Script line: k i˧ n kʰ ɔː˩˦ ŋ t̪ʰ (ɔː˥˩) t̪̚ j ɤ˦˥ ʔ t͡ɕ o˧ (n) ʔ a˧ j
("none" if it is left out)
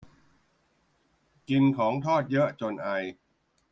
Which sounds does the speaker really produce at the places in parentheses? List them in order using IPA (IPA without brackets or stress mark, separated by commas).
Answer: ɔː˥˩, n